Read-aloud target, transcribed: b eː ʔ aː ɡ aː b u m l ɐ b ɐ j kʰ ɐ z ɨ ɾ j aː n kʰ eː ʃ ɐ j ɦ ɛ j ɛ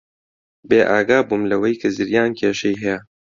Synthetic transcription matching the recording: b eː ʔ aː ɡ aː b u m l ɐ w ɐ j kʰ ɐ z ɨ ɾ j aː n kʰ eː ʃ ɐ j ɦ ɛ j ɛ

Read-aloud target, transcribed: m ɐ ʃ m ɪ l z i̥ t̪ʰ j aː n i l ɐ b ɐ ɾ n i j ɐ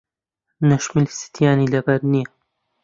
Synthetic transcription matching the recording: n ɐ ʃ m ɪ l s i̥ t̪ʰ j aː n i l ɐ b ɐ ɾ n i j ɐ

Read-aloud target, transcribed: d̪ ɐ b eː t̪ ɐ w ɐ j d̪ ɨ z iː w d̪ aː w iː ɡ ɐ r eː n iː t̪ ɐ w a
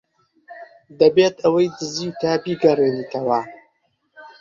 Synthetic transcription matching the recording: d̪ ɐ b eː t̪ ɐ w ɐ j d̪ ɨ z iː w t̪ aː b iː ɡ ɐ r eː n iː t̪ ɐ w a

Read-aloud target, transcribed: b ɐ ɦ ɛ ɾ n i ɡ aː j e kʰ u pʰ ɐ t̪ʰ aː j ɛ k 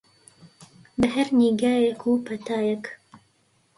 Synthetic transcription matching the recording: b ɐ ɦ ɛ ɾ n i ɡ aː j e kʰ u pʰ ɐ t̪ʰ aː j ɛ k

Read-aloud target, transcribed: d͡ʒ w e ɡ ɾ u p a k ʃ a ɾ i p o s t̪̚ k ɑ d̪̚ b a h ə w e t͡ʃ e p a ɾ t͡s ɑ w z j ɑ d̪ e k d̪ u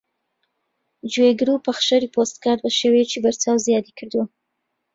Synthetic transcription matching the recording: d͡ʒ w e ɡ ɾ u p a x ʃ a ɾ i p o s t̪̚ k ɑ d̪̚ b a ʃ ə w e t͡ʃ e b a ɾ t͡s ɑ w z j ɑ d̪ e k d̪ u

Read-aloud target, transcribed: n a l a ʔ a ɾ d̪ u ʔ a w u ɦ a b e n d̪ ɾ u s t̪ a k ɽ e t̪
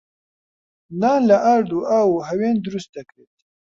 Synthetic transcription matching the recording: n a l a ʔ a ɾ d̪ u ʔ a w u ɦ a w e n d̪ ɾ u s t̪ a k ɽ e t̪

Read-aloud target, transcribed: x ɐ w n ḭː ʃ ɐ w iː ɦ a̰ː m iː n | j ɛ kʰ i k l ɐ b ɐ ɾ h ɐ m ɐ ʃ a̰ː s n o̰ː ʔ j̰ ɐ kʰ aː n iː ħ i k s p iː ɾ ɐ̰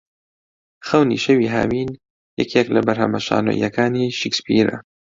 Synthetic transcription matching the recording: x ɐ w n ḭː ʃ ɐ w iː ɦ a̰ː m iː n | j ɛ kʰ e k l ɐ b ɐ ɾ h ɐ m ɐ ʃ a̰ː n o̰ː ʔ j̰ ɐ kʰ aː n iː ʃ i k s p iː ɾ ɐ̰

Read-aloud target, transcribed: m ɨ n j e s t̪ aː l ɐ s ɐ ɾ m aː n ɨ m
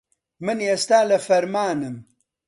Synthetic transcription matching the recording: m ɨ n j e s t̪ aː l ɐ f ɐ ɾ m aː n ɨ m

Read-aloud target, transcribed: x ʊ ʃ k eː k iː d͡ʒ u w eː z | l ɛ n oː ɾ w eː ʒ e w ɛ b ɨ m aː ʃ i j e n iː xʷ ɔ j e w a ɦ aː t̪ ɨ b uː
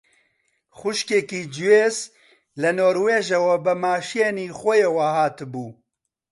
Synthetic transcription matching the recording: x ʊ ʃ k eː k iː d͡ʒ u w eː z | l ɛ n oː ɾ w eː ʒ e w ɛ b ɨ m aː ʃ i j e n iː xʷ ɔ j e w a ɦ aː t̪ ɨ b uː

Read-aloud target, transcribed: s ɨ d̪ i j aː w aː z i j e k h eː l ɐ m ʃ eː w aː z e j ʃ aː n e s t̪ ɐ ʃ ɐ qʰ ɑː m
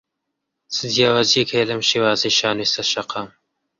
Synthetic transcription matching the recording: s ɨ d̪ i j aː w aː z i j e k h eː l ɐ m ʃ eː w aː z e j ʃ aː n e s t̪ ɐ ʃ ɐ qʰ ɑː m

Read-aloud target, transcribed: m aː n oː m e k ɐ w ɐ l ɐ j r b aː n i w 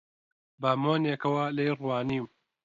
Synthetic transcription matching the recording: b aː m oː n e k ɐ w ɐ l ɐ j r w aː n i w

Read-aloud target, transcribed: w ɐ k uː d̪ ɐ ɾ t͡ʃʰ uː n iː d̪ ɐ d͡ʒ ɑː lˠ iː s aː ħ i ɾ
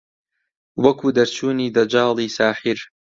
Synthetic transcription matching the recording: w ɐ k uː d̪ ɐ ɾ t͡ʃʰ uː n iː d̪ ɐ d͡ʒ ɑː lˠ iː s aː ħ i ɾ

